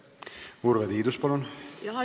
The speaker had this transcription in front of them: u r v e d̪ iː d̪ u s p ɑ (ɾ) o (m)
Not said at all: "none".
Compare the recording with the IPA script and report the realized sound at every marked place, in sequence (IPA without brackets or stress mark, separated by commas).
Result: l, n